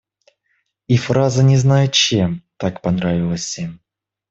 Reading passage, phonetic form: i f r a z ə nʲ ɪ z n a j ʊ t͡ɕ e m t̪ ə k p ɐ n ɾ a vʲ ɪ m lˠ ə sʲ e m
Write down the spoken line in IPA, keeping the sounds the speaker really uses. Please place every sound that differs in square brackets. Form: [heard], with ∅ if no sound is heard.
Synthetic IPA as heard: i f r a z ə nʲ ɪ z n a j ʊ t͡ɕ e m t̪ [a] k p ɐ n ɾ a vʲ ɪ [∅] lˠ ə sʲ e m